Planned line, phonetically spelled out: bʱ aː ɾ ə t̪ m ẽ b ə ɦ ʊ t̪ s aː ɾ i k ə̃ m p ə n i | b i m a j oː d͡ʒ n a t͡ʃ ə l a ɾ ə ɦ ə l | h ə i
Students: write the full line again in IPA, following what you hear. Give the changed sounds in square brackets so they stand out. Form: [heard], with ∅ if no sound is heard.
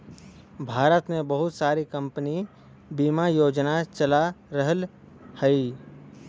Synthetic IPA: bʱ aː ɾ ə t̪ m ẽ b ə ɦ ʊ t̪ s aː ɾ i k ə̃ m p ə n i | b i m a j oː d͡ʒ n a t͡ʃ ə l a ɾ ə ɦ ə l | h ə i